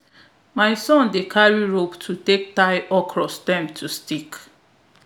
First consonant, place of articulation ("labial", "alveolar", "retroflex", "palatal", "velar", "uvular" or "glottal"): labial